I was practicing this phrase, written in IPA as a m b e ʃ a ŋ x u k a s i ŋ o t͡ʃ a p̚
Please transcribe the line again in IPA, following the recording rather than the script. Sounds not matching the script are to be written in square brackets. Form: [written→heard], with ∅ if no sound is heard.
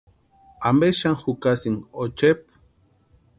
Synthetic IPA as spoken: a m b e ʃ a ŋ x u k a s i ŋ o t͡ʃ [a→e] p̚